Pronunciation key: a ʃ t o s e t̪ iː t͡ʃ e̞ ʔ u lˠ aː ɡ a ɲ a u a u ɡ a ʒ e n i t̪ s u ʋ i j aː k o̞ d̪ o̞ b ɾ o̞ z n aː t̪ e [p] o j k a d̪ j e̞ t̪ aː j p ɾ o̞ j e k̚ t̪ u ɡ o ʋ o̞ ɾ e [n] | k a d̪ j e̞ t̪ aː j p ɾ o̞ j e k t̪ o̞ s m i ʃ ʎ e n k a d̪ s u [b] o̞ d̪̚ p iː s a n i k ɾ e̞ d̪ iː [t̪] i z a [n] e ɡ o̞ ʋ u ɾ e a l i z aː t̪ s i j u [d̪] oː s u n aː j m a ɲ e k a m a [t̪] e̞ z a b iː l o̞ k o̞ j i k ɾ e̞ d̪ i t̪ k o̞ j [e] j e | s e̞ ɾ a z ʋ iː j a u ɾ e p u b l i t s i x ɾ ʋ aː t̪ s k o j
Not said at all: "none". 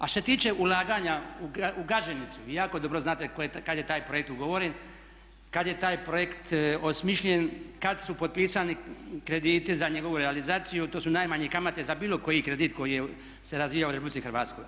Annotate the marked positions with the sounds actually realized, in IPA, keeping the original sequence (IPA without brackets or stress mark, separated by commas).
k, n, p, t̪, ɲ, t̪, t̪, i